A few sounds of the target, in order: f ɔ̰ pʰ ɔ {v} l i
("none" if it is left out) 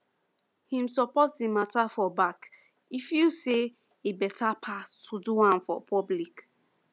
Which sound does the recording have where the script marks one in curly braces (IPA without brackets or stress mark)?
b